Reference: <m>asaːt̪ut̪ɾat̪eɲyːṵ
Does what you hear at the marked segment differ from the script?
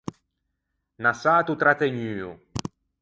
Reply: yes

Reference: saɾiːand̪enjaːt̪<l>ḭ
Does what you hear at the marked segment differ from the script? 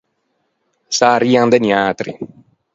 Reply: yes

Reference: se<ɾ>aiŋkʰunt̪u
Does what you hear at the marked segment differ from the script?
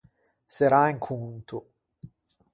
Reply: no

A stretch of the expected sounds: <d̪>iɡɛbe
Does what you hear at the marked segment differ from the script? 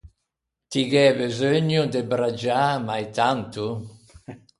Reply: yes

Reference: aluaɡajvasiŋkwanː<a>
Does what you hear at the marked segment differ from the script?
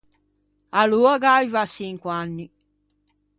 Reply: yes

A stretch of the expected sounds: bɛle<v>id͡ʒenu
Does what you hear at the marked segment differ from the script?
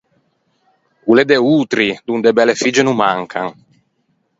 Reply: yes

